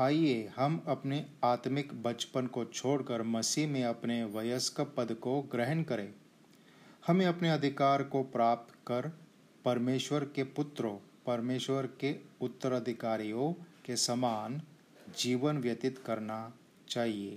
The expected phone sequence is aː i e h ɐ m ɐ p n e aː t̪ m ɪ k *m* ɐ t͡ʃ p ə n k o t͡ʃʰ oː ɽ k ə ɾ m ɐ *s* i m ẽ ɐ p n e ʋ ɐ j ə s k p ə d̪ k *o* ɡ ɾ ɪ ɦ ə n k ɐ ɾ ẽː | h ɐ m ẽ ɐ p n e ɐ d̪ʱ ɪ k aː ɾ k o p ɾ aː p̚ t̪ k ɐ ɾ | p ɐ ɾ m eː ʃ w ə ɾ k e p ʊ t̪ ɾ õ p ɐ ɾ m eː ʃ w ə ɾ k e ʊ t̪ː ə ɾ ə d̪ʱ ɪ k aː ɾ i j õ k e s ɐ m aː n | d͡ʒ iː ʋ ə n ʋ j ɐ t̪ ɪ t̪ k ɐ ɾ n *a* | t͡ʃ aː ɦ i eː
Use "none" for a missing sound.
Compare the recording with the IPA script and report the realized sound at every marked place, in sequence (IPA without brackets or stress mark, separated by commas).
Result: b, s, o, a